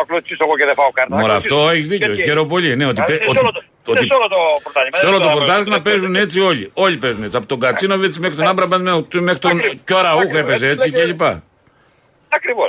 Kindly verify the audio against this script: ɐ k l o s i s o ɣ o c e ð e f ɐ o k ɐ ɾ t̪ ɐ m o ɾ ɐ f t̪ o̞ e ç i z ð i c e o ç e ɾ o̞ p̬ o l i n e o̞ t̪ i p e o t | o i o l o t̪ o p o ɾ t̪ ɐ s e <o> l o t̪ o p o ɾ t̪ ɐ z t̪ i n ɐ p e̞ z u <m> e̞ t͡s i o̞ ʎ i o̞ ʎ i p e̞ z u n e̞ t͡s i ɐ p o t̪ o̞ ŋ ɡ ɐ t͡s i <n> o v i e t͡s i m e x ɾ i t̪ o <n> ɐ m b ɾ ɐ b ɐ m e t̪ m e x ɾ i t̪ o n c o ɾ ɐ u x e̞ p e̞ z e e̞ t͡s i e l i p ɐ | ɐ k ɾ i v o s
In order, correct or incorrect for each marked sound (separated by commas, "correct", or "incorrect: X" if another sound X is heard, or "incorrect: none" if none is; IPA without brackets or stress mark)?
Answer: correct, incorrect: n, correct, correct